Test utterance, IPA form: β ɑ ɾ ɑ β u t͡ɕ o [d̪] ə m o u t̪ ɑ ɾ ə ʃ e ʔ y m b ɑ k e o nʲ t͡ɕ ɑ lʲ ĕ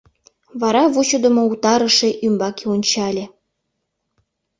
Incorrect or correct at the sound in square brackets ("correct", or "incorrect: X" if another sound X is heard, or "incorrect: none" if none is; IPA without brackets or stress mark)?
correct